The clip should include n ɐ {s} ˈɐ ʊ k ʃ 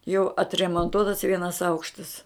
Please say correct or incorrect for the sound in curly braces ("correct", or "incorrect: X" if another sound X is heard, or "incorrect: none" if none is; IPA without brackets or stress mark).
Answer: correct